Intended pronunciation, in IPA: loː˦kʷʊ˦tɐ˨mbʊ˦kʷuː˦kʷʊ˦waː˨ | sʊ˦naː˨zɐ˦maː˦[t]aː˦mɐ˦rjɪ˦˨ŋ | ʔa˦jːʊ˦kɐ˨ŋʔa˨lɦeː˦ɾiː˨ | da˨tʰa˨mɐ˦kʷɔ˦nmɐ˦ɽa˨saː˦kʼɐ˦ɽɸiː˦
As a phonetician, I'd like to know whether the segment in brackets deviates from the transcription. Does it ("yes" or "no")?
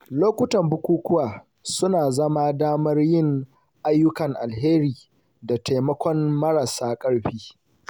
yes